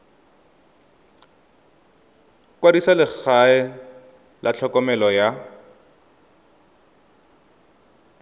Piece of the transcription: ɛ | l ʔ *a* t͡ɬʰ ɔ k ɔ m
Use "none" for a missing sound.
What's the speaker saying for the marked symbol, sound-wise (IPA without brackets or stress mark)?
a